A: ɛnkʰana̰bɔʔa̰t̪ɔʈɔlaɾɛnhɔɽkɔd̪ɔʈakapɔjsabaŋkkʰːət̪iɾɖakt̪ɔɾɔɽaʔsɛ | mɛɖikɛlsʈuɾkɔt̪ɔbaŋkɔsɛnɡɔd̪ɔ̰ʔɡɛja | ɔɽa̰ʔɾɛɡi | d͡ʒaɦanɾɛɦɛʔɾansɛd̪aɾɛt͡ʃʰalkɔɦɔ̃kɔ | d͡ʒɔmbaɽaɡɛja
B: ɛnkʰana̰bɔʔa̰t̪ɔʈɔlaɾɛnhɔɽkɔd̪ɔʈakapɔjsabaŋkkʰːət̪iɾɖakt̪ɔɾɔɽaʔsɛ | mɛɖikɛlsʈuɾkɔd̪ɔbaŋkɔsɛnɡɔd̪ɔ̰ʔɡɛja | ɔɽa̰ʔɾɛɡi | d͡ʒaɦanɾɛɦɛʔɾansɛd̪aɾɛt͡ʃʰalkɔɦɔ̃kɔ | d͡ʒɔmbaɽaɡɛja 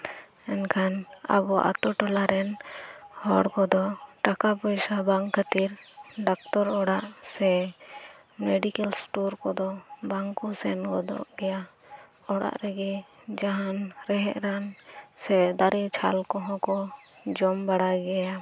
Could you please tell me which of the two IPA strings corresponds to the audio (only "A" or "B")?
B